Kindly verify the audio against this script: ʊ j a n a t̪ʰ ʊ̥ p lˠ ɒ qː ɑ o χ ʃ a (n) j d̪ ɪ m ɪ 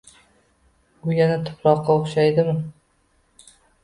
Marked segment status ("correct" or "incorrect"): incorrect